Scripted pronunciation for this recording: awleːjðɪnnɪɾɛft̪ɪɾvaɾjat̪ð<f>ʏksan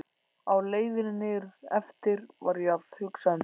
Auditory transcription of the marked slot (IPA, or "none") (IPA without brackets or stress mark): h